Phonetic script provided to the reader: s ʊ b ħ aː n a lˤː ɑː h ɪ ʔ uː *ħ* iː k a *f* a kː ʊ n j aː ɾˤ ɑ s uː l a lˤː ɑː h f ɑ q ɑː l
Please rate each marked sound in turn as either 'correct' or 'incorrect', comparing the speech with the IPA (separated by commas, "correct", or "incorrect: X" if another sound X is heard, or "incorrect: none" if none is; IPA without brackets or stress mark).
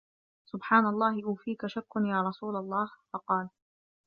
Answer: incorrect: f, incorrect: ʃ